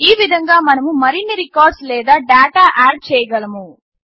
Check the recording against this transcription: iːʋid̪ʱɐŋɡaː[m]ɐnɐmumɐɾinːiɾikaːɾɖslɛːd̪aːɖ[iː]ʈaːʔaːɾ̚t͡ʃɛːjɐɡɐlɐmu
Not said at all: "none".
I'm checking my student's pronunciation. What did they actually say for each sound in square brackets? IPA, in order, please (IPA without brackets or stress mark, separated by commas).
m, aː